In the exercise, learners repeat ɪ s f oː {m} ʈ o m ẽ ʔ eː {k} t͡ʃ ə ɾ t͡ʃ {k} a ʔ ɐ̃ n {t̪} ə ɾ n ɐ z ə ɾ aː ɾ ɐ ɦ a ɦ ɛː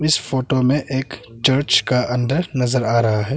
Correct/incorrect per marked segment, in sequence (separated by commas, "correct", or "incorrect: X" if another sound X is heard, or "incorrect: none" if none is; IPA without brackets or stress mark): incorrect: none, correct, correct, incorrect: d̪